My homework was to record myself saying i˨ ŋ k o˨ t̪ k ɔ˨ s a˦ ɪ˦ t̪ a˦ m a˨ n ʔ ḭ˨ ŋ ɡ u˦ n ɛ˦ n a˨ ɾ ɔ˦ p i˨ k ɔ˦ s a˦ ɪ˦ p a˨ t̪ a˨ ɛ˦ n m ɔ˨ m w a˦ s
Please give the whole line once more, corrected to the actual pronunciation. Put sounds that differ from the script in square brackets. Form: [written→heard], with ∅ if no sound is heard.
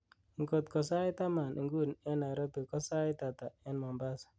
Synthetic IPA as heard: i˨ ŋ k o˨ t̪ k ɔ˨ s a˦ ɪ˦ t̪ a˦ m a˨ n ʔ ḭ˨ ŋ ɡ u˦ n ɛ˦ n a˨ ɾ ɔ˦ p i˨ k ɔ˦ s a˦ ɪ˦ [p→t] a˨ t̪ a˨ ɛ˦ n m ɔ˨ m [w→b] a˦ s